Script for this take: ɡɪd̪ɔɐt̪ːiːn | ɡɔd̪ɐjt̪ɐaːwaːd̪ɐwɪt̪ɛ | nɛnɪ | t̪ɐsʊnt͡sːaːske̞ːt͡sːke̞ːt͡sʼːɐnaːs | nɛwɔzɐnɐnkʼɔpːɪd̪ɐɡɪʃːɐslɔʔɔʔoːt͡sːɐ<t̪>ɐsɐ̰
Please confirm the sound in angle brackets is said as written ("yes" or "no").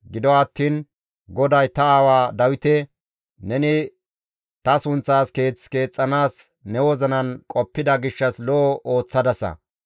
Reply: no